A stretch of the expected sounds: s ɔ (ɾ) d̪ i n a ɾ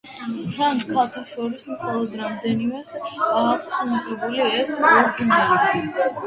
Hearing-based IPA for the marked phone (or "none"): ɾ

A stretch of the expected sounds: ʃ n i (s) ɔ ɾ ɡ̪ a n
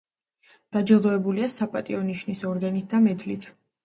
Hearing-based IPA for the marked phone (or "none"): s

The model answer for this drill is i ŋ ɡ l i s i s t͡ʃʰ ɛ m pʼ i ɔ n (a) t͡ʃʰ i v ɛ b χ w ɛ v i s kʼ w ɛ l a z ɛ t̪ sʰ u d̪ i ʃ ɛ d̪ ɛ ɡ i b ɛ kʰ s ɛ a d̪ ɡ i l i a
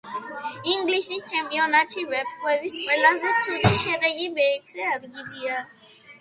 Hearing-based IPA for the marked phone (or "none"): a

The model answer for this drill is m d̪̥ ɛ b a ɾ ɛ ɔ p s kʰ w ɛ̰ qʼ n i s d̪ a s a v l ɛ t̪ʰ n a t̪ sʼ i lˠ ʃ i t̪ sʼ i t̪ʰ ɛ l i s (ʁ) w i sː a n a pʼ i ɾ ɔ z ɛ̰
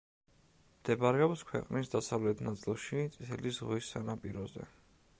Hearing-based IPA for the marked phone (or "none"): ʁ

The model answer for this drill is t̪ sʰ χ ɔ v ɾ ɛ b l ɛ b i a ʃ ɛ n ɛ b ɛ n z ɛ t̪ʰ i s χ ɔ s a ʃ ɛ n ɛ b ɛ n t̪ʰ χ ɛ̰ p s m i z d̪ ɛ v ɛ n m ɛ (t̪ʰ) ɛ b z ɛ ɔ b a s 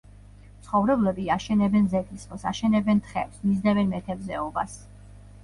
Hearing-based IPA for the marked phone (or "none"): t̪ʰ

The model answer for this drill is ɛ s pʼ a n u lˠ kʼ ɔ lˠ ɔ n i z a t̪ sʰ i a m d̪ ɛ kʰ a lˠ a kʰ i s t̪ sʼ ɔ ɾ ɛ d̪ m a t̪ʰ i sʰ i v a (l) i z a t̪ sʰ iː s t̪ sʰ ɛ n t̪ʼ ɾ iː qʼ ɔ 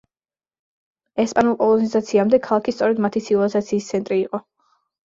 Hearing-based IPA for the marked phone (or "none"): l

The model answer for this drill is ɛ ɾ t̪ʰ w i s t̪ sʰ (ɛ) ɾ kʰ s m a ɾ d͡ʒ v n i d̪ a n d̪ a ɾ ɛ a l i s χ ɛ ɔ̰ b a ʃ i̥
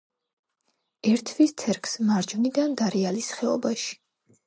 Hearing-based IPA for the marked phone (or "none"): ɛ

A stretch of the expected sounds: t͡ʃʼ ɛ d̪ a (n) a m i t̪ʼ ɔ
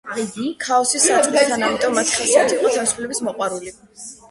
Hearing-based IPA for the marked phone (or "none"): n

